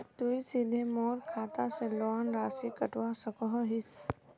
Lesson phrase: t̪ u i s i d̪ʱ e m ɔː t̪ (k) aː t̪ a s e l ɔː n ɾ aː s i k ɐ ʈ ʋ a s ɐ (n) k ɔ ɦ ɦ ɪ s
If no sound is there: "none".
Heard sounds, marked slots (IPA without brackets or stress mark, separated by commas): kʰ, none